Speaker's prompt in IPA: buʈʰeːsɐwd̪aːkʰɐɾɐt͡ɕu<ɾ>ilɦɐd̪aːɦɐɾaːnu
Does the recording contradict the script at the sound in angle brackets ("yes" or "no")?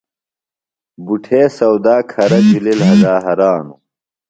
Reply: yes